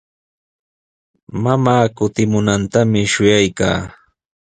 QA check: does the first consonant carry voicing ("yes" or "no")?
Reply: yes